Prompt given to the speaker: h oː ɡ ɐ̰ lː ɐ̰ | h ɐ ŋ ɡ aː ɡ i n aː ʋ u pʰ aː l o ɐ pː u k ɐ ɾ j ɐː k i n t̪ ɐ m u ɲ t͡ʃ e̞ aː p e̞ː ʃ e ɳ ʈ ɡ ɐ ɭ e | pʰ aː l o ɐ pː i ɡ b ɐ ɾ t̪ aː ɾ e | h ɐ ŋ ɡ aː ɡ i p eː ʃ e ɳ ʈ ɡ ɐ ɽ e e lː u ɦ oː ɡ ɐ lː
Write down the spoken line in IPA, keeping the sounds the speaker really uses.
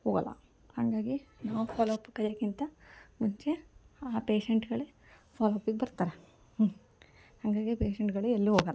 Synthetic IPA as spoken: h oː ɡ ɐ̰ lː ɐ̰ | h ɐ ŋ ɡ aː ɡ i n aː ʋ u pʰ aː l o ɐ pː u k ɐ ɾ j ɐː k i n t̪ ɐ m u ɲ t͡ʃ e̞ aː p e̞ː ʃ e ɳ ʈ ɡ ɐ ɭ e | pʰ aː l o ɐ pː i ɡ b ɐ ɾ t̪ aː ɾ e | h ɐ ŋ ɡ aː ɡ i p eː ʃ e ɳ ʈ ɡ ɐ ɭ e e lː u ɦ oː ɡ ɐ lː